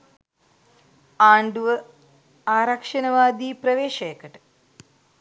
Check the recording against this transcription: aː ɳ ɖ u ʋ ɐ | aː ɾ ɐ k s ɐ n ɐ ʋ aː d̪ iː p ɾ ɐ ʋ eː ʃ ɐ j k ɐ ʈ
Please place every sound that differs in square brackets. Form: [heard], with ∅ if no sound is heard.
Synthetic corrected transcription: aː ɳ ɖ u ʋ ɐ | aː ɾ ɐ k [ʂ] ɐ n ɐ ʋ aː d̪ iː p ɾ ɐ ʋ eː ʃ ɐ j k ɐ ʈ